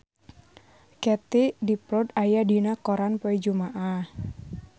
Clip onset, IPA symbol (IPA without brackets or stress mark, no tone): k